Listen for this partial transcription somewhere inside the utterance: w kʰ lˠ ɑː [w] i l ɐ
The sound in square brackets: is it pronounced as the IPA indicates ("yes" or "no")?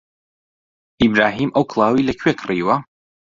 yes